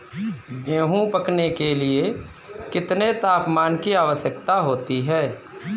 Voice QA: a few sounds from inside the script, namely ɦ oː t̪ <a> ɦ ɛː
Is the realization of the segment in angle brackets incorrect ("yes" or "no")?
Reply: yes